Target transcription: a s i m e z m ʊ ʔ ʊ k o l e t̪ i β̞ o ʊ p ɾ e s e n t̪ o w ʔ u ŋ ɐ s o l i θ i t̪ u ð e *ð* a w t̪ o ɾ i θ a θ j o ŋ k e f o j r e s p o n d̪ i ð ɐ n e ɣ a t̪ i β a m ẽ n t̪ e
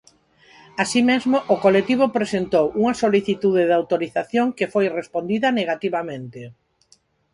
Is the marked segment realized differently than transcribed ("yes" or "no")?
no